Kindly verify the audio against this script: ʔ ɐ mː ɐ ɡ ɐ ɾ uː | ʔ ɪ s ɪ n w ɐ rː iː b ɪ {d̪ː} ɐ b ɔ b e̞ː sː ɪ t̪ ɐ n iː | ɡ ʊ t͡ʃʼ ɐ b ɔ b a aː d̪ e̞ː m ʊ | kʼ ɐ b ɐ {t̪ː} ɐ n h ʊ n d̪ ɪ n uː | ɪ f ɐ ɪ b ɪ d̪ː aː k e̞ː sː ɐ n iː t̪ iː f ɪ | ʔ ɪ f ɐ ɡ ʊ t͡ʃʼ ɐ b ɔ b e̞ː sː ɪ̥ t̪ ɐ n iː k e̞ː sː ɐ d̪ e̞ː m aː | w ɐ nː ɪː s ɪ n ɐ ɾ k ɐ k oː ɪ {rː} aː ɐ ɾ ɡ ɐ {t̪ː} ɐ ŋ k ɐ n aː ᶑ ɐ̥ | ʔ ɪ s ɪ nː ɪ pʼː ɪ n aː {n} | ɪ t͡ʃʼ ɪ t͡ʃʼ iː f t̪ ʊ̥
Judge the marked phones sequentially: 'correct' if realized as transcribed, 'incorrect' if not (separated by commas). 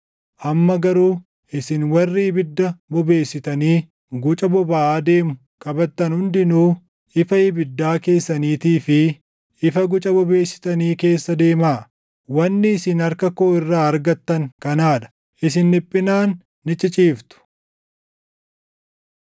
correct, correct, correct, correct, incorrect